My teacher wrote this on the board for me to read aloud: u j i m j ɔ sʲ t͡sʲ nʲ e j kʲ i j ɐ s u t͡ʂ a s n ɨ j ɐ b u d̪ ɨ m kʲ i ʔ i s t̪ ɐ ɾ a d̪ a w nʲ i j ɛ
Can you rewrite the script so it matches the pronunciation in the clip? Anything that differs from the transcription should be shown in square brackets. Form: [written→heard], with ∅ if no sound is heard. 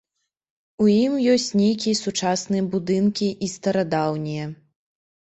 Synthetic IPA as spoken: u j i m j ɔ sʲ t͡sʲ nʲ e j kʲ i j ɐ s u t͡ʂ a s n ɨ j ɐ b u d̪ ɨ [m→n] kʲ i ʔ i s t̪ ɐ ɾ a d̪ a w nʲ i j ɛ

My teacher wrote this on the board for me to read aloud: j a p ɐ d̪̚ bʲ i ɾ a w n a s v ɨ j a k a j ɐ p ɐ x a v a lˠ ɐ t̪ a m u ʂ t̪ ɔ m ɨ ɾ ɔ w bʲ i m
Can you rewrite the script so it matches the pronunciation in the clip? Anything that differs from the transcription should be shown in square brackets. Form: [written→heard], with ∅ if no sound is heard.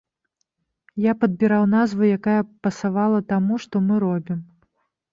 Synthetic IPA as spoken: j a p ɐ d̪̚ bʲ i ɾ a w n a [s→z] v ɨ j a k a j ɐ p ɐ [x→s] a v a lˠ ɐ t̪ a m u ʂ t̪ ɔ m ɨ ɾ ɔ [w→∅] bʲ i m

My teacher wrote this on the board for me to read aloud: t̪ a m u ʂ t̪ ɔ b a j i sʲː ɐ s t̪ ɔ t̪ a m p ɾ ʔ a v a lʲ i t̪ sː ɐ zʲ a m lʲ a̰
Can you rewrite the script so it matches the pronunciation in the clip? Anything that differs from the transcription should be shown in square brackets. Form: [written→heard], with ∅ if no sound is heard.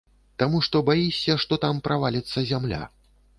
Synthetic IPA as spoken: t̪ a m u ʂ t̪ ɔ b a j i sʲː ɐ [s→ʂ] t̪ ɔ t̪ a m p ɾ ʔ a v a lʲ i t̪ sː ɐ zʲ a m lʲ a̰

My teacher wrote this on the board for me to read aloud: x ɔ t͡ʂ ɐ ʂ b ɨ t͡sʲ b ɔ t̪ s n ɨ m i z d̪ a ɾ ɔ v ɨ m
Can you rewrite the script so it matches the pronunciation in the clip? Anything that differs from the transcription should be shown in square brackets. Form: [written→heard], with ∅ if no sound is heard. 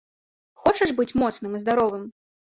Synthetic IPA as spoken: x ɔ t͡ʂ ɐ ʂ b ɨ t͡sʲ [b→m] ɔ t̪ s n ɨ m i z d̪ a ɾ ɔ v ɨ m

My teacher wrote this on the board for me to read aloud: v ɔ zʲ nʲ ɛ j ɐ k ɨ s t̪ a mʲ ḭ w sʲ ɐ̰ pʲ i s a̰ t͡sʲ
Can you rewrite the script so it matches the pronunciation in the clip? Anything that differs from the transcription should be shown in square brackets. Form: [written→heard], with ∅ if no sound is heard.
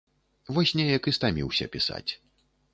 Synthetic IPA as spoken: v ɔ [zʲ→sʲ] nʲ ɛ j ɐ k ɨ s t̪ a mʲ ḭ w sʲ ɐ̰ pʲ i s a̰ t͡sʲ

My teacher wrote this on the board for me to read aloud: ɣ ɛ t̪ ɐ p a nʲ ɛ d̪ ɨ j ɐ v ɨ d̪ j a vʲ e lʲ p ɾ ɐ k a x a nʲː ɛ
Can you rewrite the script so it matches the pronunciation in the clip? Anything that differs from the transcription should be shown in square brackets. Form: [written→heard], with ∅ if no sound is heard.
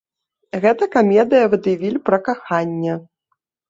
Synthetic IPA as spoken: ɣ ɛ t̪ ɐ [p→k] a [nʲ→mʲ] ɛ d̪ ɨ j ɐ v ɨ d̪ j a vʲ [e→i] lʲ p ɾ ɐ k a x a nʲː ɛ

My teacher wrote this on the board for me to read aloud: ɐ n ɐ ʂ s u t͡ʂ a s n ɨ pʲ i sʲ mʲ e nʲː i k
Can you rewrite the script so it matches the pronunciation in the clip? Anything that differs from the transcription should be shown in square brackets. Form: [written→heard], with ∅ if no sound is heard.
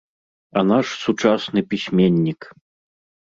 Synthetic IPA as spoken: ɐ n [ɐ→a] ʂ s u t͡ʂ a s n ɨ pʲ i sʲ mʲ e nʲː i k

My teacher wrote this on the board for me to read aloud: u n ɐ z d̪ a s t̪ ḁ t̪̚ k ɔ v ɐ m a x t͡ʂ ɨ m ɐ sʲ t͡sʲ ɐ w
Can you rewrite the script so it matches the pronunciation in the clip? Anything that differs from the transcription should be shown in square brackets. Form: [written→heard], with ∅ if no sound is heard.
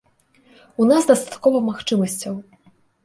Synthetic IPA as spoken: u n [ɐ→a] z d̪ [a→ɐ] s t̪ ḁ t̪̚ k ɔ v ɐ m a x t͡ʂ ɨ m ɐ sʲ t͡sʲ ɐ w

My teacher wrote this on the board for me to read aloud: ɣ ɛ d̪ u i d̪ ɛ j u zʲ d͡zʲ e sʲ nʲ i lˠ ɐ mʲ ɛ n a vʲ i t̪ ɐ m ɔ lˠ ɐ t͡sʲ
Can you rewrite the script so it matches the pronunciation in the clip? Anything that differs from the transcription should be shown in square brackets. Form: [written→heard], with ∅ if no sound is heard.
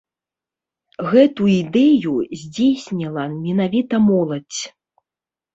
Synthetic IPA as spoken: ɣ ɛ [d̪→t̪] u i d̪ ɛ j u zʲ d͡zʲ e sʲ nʲ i lˠ ɐ mʲ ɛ n a vʲ i t̪ ɐ m ɔ lˠ ɐ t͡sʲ

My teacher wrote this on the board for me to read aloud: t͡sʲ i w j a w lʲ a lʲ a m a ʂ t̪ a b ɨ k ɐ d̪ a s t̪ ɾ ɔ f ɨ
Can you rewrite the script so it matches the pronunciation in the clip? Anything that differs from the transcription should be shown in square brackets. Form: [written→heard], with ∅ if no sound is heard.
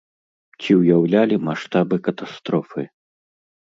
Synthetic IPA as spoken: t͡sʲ i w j a w lʲ a lʲ [a→i] m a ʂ t̪ a b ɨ k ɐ [d̪→t̪] a s t̪ ɾ ɔ f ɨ

